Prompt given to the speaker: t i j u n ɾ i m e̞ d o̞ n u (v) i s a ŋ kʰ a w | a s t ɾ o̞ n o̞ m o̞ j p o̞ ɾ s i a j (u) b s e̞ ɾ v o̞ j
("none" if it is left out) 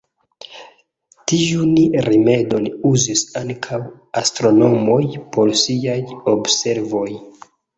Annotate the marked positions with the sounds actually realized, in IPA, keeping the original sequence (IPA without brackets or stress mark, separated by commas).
z, o